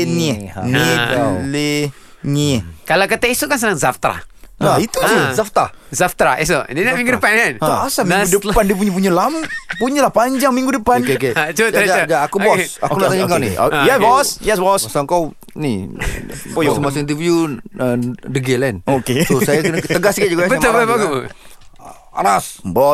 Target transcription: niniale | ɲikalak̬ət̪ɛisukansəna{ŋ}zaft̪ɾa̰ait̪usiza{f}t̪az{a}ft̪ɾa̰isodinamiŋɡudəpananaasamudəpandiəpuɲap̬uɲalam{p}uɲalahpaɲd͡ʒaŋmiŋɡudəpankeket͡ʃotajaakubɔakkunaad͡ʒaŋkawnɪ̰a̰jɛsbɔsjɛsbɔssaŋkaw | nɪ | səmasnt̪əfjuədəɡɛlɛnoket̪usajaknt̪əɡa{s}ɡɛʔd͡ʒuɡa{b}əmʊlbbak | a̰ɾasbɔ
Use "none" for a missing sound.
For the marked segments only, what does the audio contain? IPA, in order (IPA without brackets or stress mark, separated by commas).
ŋ, f, a, p, s, b